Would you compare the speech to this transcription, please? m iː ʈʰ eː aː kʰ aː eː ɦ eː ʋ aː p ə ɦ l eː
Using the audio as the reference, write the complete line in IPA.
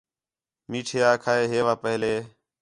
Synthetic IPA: m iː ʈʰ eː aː kʰ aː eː ɦ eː ʋ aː p ə ɦ l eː